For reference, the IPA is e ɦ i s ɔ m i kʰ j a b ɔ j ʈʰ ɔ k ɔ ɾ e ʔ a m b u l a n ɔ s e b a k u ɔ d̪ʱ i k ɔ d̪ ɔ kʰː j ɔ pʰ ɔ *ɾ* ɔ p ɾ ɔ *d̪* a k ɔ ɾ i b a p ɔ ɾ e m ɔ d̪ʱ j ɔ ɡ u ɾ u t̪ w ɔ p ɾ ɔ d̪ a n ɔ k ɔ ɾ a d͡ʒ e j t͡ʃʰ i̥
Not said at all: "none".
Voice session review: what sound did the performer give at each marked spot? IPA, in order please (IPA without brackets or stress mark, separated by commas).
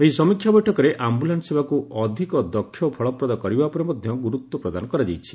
ɭ, d̪